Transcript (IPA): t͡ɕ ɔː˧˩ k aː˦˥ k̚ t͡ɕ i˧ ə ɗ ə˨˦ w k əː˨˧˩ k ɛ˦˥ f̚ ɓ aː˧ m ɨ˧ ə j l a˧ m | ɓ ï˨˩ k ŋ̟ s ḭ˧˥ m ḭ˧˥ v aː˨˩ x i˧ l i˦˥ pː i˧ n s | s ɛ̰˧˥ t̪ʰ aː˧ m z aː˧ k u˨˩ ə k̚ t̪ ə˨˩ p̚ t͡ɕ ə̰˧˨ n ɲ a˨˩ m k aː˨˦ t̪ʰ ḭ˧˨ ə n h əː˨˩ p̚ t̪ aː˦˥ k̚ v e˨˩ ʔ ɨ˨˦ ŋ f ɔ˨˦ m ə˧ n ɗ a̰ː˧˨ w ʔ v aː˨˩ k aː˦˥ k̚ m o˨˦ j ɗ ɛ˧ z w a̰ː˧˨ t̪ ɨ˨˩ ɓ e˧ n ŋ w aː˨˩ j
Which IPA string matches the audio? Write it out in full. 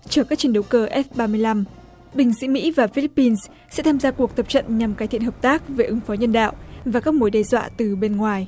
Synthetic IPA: t͡ɕ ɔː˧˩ k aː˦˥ k̚ t͡ɕ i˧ ə ɗ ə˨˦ w k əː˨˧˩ ʔ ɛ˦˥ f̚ ɓ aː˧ m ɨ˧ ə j l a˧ m | ɓ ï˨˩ ŋ̟ s ḭ˧˥ m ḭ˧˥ v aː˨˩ f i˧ l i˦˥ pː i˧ n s | s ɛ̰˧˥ t̪ʰ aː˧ m z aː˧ k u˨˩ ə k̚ t̪ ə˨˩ p̚ t͡ɕ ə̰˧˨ n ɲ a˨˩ m k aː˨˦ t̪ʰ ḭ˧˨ ə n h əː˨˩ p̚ t̪ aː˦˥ k̚ v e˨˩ ʔ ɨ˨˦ ŋ f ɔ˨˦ ɲ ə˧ n ɗ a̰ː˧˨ w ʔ v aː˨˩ k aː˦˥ k̚ m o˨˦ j ɗ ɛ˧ z w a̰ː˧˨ t̪ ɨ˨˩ ɓ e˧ n ŋ w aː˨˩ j

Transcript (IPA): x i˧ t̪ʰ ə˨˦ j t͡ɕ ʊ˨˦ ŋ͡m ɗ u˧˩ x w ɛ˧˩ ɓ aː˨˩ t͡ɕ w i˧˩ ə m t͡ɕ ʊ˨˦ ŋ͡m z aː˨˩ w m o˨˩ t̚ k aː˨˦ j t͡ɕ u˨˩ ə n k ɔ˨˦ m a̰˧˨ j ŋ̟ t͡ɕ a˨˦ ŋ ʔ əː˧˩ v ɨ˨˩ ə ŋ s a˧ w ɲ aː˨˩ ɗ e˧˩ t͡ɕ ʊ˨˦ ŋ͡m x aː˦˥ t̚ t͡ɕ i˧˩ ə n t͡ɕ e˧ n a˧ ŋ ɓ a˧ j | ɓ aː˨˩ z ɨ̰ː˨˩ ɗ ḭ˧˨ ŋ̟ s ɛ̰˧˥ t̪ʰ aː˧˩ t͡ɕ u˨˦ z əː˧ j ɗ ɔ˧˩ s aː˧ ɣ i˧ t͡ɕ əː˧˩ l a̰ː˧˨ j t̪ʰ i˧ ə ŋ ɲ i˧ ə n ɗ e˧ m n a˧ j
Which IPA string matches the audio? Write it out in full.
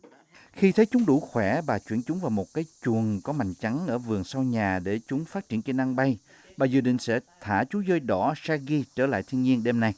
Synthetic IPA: x i˧ t̪ʰ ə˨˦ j t͡ɕ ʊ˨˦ ŋ͡m ɗ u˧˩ x w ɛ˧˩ ɓ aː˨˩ t͡ɕ w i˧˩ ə n t͡ɕ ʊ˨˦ ŋ͡m v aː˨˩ w m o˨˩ t̚ k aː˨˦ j t͡ɕ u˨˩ ə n k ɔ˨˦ m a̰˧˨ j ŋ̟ t͡ɕ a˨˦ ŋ ʔ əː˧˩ v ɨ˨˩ ə ŋ s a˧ w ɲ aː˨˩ ɗ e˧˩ t͡ɕ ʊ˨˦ ŋ͡m f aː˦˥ t̚ t͡ɕ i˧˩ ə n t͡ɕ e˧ n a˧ ŋ ɓ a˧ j | ɓ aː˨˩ z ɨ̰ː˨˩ ɗ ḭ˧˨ ŋ̟ s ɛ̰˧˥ t̪ʰ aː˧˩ t͡ɕ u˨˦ z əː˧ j ɗ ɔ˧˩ s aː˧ ɣ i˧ t͡ɕ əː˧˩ l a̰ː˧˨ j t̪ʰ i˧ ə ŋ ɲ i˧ ə n ɗ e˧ m n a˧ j

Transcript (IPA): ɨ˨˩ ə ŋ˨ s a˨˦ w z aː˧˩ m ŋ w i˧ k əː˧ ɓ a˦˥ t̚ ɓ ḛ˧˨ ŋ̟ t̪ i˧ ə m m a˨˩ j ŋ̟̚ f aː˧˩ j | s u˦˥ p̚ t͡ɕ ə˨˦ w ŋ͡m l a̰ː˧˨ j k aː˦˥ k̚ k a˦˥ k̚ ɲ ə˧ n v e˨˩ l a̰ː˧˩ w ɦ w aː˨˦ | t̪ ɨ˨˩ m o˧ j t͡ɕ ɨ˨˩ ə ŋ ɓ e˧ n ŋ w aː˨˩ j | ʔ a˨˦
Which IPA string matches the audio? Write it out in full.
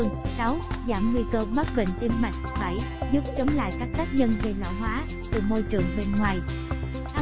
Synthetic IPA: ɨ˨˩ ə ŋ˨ s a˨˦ w z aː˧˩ m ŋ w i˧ k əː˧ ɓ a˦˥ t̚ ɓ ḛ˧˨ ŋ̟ t̪ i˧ ə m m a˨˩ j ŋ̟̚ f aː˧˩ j | z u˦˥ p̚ t͡ɕ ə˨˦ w ŋ͡m l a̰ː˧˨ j k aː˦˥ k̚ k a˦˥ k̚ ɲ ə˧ n v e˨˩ l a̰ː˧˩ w ɦ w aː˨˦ | t̪ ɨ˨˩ m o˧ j t͡ɕ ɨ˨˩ ə ŋ ɓ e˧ n ŋ w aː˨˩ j | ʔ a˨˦

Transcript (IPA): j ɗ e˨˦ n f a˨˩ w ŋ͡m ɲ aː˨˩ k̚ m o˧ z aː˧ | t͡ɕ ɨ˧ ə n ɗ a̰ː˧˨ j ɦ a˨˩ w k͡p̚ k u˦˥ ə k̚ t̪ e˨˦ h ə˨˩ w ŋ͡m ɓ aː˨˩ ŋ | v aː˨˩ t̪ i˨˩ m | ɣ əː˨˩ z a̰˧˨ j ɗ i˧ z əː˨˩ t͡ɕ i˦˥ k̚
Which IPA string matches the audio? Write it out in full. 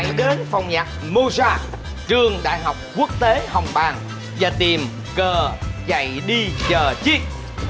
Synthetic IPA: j ɗ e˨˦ n f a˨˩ w ŋ͡m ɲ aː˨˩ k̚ m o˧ z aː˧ | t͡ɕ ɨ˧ ə ŋ ɗ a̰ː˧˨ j ɦ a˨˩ w k͡p̚ k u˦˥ ə k̚ t̪ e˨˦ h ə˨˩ w ŋ͡m ɓ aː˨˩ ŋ | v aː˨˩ t̪ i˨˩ m | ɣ əː˨˩ z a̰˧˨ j ɗ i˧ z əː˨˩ t͡ɕ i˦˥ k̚

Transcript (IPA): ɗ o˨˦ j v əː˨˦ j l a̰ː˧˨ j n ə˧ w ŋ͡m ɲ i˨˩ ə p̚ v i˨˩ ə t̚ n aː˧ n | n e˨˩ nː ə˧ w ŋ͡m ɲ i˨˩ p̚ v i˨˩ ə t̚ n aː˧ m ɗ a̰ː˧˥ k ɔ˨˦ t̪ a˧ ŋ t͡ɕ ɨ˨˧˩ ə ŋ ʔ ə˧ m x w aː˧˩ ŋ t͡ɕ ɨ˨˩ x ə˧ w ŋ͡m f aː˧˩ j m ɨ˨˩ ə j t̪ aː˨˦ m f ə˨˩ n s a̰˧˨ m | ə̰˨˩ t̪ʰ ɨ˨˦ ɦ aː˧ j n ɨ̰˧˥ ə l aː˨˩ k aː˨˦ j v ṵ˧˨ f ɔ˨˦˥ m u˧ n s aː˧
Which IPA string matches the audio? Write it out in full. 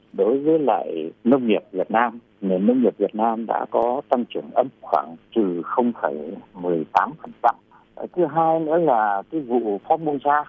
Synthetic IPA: ɗ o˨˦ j v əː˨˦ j l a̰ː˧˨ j n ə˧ w ŋ͡m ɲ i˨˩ ə p̚ v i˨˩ ə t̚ n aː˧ m | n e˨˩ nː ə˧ w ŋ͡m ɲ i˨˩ p̚ v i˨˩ ə t̚ n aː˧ m ɗ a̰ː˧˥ k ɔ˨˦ t̪ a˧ ŋ t͡ɕ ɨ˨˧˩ ə ŋ ʔ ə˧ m x w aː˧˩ ŋ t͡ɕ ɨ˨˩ x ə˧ w ŋ͡m f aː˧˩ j m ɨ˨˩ ə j t̪ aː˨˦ m f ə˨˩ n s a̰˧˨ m | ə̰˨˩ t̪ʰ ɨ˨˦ ɦ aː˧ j n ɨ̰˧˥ ə l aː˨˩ k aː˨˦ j v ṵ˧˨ f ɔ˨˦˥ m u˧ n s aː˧

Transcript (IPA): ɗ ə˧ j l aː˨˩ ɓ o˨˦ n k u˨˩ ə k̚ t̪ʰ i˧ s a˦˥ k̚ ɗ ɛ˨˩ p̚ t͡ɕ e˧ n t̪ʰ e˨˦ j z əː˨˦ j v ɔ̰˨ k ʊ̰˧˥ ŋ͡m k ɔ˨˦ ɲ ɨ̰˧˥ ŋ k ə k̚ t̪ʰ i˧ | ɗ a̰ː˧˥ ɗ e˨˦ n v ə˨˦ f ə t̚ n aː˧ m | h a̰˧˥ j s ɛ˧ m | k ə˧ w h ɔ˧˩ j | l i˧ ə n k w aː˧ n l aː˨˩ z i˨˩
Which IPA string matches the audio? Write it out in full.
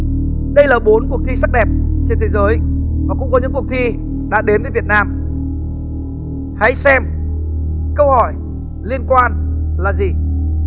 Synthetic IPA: ɗ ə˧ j l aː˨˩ ɓ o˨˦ n k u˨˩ ə k̚ t̪ʰ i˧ s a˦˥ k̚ ɗ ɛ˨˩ p̚ t͡ɕ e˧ n t̪ʰ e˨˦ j z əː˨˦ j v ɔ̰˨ k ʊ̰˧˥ ŋ͡m k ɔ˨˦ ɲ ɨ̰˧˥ ŋ k ə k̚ t̪ʰ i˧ | ɗ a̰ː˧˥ ɗ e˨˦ n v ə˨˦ v ə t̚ n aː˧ m | h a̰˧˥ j s ɛ˧ m | k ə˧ w h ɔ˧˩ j | l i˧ ə n k w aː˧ n l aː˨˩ z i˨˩

